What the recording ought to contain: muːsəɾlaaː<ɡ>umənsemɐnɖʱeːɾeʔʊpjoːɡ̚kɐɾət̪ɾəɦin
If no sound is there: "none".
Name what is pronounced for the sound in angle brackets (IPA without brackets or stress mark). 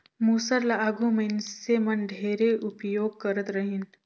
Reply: ɡ